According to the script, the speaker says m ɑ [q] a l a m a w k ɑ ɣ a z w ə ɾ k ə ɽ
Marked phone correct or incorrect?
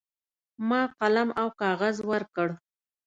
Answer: correct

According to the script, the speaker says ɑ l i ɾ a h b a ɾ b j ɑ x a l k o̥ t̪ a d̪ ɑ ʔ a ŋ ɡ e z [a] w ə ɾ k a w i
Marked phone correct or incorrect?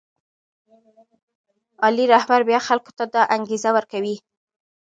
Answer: correct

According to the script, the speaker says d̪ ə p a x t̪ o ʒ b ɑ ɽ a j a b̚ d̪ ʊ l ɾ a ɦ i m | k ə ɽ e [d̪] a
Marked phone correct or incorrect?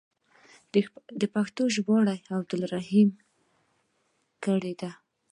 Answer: correct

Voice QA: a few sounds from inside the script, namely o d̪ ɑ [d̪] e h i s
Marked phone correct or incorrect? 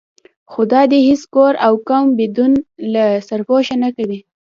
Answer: correct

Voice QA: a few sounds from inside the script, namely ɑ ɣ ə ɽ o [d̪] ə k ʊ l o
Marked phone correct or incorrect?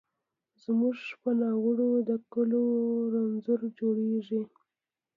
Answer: correct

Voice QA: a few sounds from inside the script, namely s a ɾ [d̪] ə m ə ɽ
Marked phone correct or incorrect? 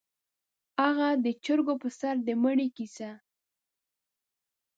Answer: correct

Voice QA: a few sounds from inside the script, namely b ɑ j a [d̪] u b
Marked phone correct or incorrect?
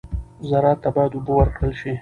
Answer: correct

